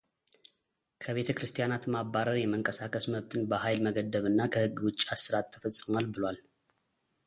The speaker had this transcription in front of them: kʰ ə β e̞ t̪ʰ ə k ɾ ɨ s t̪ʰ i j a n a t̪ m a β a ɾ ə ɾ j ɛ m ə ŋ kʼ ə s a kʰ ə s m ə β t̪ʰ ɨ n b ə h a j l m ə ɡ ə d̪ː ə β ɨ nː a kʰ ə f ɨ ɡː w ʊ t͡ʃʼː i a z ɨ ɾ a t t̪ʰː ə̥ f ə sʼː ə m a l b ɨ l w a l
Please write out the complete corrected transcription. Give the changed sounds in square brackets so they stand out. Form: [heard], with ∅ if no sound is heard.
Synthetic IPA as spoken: kʰ ə β e̞ t̪ʰ ə k ɾ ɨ s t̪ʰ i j a n a t̪ m a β a ɾ ə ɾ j ɛ m ə ŋ kʼ ə s a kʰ ə s m ə β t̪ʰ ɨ n b ə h a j l m ə ɡ ə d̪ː ə β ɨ nː a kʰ ə [h] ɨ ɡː w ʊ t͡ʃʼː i a [s] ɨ ɾ a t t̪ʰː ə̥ f ə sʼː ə m a l b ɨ l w a l